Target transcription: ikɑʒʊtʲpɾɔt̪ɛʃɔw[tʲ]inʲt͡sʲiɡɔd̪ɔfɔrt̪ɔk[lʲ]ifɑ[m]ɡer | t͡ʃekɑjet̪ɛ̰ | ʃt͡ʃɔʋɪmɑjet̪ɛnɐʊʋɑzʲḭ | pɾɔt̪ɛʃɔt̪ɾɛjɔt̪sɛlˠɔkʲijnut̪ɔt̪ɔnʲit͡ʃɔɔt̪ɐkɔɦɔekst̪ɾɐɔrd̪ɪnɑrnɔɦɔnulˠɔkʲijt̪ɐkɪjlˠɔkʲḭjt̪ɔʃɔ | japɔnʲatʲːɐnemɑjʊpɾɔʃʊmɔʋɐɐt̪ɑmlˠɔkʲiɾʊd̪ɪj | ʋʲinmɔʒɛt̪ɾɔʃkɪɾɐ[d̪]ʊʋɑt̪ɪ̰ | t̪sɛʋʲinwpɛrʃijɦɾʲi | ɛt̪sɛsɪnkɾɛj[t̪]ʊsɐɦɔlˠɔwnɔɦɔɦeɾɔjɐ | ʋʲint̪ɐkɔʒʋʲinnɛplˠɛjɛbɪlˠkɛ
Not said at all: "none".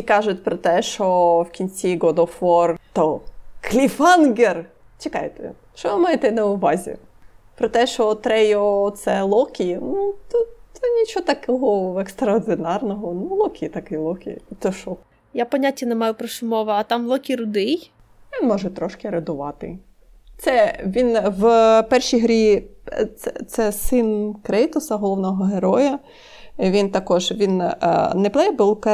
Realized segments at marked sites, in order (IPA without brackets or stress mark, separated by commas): kʲ, lʲ, n, d̪, t̪